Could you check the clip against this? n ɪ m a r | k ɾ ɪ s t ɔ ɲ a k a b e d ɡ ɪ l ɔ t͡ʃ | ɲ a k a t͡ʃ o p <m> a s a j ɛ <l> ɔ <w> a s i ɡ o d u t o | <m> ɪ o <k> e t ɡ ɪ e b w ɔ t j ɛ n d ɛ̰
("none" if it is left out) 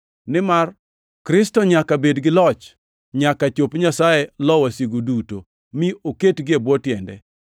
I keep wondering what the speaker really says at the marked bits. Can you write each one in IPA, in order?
ɲ, l, w, m, k

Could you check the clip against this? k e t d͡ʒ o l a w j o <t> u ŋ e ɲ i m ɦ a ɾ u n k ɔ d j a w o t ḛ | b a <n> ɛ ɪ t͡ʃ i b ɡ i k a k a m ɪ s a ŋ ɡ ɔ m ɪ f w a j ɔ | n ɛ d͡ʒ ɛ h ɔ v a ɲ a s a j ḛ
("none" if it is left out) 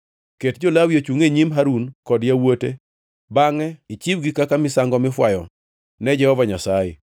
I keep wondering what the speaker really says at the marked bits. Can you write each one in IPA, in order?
t͡ʃ, ŋ

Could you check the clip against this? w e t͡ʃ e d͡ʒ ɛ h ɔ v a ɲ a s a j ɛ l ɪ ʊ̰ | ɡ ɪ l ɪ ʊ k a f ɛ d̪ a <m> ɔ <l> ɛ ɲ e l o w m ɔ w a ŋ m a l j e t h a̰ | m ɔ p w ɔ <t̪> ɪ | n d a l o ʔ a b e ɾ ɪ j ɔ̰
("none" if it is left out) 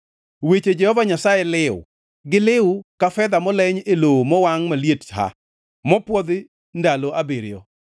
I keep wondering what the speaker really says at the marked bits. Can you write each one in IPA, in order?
m, l, d̪

